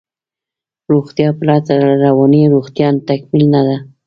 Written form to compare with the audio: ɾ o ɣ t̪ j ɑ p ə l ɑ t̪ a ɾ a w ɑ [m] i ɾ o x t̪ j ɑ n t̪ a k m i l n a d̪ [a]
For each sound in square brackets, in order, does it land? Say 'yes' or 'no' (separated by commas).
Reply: no, yes